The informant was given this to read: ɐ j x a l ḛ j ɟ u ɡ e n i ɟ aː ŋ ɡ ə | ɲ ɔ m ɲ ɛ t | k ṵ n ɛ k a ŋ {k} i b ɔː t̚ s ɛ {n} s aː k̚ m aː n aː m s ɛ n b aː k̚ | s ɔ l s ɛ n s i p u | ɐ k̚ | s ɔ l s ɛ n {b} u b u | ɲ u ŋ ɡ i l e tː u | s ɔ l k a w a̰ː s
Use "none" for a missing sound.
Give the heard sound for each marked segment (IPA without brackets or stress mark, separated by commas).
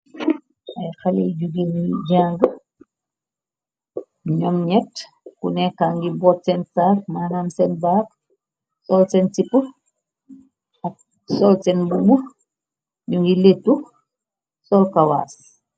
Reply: ɡ, n, b